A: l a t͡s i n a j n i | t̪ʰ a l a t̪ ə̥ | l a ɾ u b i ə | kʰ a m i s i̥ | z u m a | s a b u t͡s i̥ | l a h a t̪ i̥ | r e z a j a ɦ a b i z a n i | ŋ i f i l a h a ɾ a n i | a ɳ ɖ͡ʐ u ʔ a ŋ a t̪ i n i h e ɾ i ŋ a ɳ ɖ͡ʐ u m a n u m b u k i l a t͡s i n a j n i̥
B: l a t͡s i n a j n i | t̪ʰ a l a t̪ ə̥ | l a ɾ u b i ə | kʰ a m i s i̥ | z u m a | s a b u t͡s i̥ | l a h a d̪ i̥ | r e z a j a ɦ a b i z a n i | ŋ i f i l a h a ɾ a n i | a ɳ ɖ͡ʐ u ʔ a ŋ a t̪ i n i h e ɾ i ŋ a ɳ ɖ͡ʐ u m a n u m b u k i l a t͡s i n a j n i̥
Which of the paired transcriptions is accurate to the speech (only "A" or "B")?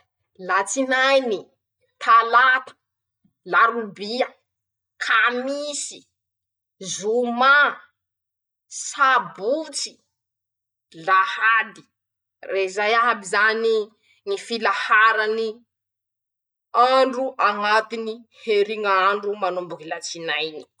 B